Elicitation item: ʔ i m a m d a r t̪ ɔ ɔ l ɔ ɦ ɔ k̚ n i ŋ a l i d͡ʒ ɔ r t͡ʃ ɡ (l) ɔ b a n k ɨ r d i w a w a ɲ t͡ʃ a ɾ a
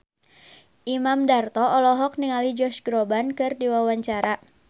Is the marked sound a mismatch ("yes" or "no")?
yes